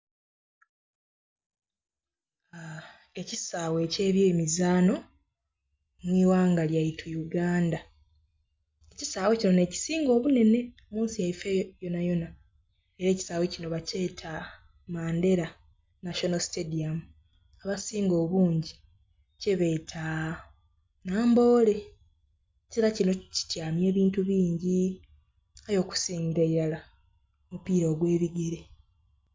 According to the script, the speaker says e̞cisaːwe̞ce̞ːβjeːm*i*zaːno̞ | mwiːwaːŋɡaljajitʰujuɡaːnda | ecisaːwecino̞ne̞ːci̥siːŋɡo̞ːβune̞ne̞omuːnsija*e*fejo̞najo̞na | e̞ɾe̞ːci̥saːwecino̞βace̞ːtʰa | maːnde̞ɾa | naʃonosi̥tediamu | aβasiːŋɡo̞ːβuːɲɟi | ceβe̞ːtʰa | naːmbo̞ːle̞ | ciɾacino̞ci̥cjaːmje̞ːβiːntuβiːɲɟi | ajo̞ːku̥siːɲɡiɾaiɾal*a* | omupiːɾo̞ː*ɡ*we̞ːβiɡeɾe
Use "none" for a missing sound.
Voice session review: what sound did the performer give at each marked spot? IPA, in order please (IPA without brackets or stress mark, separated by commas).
i, i, a, ɡ